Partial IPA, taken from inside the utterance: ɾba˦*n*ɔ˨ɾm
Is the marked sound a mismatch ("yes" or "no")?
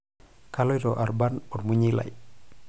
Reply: no